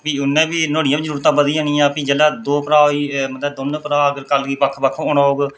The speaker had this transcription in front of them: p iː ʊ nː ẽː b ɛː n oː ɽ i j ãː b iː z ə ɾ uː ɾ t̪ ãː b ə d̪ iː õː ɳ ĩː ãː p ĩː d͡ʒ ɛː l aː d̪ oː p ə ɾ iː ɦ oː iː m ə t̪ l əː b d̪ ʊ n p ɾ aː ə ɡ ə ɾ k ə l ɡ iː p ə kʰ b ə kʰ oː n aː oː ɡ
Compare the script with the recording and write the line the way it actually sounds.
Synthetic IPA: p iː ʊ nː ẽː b iː n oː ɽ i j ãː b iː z ə ɾ uː ɾ t̪ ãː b ə d̪ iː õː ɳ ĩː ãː p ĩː d͡ʒ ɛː l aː d̪ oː p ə ɾ aː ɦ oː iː m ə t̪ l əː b d̪ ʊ n p ɾ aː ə ɡ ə ɾ k ə l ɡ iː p ə kʰ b ə kʰ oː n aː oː ɡ